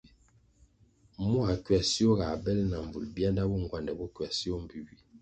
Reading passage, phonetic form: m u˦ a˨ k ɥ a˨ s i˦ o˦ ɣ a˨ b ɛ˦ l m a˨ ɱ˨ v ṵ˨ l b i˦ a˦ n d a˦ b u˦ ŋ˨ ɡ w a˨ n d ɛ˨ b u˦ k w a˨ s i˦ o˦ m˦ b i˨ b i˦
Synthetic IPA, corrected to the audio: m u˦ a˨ k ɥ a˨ s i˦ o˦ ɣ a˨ b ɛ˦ l n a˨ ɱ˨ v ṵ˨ l b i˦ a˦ n d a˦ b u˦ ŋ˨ ɡ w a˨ n d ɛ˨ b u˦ k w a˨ s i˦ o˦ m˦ b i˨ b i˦